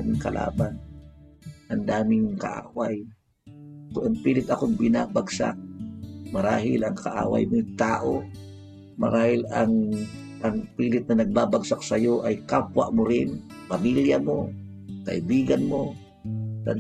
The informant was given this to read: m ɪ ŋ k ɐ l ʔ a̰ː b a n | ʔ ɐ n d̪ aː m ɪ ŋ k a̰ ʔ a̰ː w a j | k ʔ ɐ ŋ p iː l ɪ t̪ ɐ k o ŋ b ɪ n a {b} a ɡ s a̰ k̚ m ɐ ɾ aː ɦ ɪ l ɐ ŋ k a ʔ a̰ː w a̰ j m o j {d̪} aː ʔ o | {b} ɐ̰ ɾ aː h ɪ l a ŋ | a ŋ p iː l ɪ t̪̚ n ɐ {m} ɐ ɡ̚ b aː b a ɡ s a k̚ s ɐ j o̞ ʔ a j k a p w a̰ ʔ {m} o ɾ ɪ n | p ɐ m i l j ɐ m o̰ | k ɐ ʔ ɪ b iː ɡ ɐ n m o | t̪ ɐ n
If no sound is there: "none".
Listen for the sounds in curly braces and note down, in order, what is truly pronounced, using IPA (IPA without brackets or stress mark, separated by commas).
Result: b, t̪, m, n, m